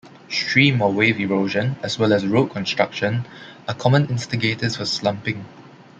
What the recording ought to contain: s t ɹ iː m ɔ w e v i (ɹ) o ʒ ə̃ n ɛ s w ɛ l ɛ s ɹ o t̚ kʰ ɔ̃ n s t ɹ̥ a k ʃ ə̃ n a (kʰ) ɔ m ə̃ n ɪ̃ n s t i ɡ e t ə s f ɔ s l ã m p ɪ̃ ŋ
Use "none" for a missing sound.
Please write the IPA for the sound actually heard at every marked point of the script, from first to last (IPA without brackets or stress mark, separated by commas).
ɹ, kʰ